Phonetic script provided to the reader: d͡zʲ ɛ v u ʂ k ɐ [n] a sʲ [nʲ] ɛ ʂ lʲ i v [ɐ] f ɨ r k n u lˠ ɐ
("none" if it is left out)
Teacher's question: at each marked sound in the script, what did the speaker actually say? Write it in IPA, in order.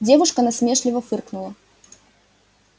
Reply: n, mʲ, ɐ

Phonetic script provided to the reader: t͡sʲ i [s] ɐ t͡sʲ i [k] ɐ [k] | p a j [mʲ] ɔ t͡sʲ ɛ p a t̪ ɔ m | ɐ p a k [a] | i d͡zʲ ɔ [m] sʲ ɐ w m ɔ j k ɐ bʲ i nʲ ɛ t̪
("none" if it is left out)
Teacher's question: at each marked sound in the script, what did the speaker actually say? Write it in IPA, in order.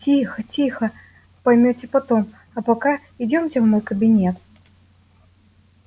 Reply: x, x, none, mʲ, a, m

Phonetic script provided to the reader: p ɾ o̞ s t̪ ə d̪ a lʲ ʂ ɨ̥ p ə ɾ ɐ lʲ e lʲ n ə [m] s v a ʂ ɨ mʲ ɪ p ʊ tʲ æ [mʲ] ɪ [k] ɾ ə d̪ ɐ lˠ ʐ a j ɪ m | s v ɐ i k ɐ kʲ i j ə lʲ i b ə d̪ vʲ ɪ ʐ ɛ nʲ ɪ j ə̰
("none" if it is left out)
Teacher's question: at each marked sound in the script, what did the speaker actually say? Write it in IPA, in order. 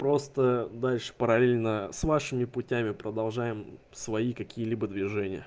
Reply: none, mʲ, p

